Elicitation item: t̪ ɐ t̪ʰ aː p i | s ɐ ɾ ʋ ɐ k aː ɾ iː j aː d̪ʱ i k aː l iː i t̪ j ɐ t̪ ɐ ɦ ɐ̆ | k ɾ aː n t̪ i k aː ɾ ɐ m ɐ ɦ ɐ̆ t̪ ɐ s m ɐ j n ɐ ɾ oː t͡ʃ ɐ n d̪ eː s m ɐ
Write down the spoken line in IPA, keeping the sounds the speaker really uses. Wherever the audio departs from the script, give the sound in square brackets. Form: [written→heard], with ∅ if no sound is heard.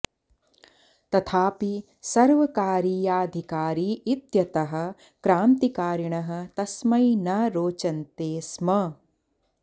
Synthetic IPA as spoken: t̪ ɐ t̪ʰ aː p i | s ɐ ɾ ʋ ɐ k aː ɾ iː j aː d̪ʱ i k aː [l→ɾ] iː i t̪ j ɐ t̪ ɐ ɦ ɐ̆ | k ɾ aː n t̪ i k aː ɾ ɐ [m→ɳ] ɐ ɦ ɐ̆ t̪ ɐ s m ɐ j n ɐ ɾ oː t͡ʃ ɐ n [d̪→t̪] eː s m ɐ